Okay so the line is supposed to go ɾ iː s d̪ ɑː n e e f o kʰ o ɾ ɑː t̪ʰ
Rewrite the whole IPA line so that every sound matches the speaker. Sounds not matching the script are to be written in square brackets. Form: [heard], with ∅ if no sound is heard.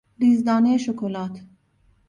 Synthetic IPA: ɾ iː [z] d̪ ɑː n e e [ʃ] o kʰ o [l] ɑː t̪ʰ